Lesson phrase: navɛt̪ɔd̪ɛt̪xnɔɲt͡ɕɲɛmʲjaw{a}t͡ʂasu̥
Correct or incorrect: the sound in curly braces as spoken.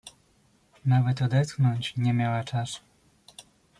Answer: correct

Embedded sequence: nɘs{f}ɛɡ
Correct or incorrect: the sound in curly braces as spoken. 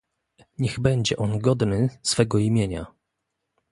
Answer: correct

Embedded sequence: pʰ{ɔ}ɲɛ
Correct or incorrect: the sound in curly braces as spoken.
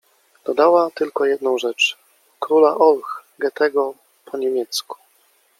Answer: correct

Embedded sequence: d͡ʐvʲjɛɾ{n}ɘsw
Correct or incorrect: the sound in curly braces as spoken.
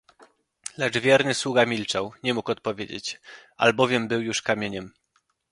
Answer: correct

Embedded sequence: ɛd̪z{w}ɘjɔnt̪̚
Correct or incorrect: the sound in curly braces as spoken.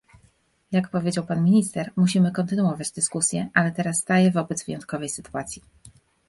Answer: incorrect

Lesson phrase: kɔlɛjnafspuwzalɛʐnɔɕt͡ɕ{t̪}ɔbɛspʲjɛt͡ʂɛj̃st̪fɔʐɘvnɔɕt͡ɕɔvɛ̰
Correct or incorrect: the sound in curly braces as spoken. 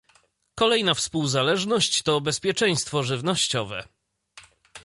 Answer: correct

